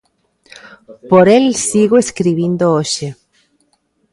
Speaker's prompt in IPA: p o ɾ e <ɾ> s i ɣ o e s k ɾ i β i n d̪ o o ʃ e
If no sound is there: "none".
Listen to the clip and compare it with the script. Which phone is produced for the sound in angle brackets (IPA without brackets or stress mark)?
l